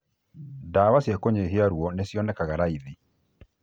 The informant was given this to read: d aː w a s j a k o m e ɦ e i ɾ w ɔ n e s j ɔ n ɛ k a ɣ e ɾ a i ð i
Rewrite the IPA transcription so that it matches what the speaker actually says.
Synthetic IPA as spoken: d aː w a s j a k o ɲ e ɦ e a ɾ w ɔ n e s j ɔ n ɛ k a ɣ a ɾ a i ð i